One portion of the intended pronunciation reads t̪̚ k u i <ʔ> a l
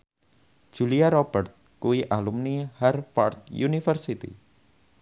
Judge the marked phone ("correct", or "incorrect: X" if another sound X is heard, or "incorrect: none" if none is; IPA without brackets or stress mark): correct